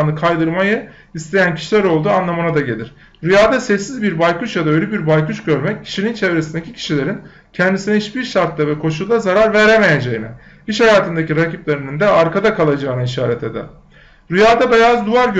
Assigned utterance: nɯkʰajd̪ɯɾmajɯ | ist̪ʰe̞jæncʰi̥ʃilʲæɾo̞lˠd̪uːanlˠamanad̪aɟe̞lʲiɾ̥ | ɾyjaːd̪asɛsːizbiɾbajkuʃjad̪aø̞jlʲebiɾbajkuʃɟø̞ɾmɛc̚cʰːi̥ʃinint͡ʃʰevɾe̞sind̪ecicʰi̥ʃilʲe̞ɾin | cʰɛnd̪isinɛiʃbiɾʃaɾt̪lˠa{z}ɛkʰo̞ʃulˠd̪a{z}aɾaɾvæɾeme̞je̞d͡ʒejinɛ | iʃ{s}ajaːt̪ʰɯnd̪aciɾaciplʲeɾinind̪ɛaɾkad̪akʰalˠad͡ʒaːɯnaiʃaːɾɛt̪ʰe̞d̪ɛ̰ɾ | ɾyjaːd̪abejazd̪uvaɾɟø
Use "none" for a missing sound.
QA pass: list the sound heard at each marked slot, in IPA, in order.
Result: v, z, h

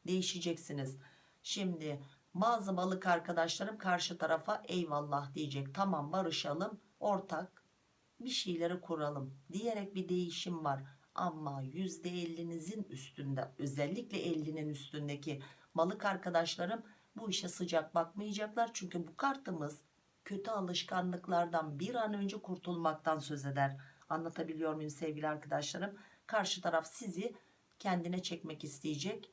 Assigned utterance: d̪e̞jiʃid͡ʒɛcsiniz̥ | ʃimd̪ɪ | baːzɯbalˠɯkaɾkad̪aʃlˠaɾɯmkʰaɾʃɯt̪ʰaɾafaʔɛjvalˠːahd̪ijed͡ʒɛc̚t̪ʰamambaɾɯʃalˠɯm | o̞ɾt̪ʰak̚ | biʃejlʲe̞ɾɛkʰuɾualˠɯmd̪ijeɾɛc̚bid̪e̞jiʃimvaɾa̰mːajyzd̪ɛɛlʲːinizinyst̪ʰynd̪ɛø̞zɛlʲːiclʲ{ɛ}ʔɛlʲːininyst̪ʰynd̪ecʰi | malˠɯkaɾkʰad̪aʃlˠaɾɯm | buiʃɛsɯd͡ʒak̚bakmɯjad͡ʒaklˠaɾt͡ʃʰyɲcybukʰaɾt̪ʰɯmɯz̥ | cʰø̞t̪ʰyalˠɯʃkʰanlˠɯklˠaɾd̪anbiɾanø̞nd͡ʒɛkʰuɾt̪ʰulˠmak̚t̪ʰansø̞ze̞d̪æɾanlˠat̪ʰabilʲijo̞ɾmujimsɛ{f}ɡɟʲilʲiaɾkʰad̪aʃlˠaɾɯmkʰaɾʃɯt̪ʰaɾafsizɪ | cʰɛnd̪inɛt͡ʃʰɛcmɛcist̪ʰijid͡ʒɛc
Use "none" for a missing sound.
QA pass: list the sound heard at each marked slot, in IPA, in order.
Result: ɛ, v

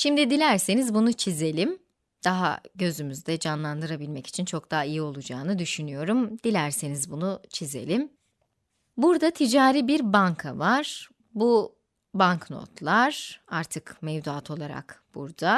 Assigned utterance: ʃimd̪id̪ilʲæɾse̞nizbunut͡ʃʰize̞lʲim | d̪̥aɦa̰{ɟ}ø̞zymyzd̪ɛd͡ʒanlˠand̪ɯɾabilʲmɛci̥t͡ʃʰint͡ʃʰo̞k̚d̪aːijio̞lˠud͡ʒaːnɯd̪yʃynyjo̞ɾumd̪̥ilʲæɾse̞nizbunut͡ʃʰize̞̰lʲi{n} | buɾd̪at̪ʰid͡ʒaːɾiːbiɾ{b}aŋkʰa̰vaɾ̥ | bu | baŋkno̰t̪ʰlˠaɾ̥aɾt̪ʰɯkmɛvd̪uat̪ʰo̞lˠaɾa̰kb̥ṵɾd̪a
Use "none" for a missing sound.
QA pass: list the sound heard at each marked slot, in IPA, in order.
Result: ɟ, m, b

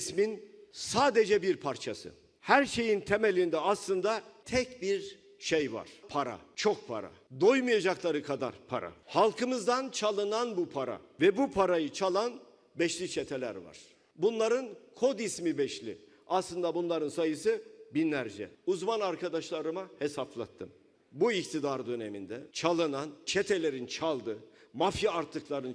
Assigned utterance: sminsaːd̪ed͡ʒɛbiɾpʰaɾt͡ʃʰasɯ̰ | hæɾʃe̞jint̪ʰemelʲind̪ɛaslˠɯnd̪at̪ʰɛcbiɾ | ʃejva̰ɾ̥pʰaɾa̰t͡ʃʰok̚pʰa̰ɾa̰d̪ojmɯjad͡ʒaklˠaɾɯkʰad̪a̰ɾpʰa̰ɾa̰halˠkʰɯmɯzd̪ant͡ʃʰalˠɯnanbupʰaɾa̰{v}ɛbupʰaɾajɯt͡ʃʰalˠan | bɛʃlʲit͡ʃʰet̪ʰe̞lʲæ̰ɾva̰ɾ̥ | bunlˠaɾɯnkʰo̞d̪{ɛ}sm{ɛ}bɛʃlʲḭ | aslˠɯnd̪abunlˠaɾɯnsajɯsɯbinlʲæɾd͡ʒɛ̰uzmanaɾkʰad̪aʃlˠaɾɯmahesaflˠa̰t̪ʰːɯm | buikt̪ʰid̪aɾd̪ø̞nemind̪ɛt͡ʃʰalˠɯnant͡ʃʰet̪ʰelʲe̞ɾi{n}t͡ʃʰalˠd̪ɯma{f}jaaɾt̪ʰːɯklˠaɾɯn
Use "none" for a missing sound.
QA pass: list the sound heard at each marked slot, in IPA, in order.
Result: v, i, i, n, f

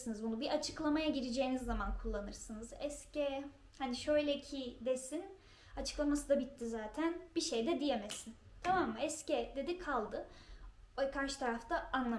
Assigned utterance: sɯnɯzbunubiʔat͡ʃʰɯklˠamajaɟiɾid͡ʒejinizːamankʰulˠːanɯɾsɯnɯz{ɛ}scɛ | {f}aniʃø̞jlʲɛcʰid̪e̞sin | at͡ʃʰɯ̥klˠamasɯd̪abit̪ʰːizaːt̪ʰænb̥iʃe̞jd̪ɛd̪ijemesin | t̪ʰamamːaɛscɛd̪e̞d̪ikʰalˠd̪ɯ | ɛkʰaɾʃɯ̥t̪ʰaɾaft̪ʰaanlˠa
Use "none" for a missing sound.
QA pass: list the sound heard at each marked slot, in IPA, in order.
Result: ɛ, h

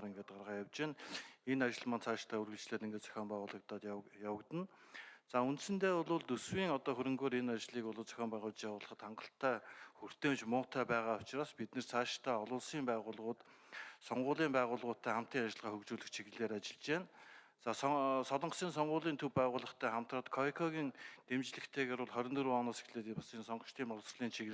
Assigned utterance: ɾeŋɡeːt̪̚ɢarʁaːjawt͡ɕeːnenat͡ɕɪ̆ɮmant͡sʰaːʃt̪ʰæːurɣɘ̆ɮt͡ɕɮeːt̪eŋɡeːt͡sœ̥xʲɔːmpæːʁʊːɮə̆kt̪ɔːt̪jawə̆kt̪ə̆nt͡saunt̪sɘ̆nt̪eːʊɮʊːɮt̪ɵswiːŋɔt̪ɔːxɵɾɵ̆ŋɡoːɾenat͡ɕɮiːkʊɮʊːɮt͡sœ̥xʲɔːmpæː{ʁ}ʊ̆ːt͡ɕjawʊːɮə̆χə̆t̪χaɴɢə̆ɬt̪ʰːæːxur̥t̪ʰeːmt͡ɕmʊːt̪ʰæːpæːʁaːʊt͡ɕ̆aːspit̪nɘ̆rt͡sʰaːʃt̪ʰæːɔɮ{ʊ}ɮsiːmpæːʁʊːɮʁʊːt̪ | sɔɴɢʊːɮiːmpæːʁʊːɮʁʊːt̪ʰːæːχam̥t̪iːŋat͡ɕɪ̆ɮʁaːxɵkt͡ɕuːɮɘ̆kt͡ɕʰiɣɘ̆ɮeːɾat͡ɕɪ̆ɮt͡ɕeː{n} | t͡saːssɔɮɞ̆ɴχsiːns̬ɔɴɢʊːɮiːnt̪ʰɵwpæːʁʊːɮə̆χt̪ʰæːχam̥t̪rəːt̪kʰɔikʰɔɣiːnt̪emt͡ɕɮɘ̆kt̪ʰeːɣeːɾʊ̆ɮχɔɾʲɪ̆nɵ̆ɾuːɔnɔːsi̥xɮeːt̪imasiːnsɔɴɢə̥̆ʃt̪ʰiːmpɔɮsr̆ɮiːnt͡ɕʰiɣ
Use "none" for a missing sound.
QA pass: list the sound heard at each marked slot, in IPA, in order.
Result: ʁ, ʊː, n

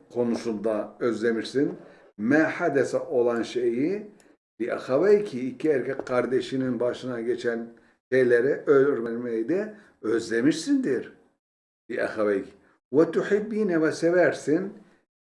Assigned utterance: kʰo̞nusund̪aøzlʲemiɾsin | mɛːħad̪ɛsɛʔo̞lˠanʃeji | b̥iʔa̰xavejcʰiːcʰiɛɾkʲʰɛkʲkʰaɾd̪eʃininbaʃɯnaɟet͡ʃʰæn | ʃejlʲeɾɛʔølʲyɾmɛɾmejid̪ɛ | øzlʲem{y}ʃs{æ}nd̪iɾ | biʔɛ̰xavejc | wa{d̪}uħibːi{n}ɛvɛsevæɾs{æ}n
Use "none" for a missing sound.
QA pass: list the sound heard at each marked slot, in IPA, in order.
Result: i, i, t̪, n, i

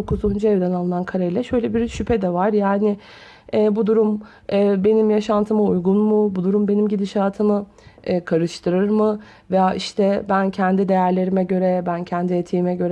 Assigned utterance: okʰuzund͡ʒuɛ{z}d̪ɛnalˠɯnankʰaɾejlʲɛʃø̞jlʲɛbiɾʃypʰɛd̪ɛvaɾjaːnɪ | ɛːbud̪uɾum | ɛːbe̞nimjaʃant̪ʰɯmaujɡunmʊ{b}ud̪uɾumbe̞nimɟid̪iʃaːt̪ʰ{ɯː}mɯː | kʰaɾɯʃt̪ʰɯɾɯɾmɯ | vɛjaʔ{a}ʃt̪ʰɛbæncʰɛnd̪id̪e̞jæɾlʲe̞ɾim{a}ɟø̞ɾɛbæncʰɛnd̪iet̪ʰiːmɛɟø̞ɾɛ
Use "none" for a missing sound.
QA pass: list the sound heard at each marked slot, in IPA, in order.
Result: v, b, ɯ, i, ɛ

